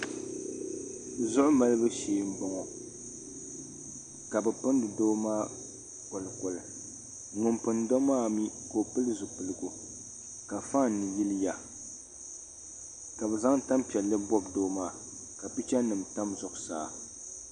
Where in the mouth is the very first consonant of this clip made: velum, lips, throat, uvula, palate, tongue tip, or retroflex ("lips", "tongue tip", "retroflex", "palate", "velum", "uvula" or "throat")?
tongue tip